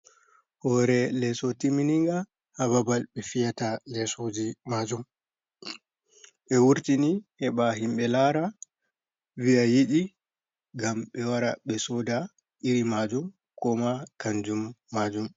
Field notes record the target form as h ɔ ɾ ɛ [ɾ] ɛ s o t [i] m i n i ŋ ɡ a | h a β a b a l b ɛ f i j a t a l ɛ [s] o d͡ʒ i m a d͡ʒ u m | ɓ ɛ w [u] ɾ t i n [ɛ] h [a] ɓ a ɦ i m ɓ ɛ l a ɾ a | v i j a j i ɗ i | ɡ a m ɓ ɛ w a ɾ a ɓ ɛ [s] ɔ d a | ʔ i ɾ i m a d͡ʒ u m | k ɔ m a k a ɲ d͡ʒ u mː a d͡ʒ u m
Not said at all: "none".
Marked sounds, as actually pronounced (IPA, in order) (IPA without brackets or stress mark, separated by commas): l, i, s, u, i, ɛ, s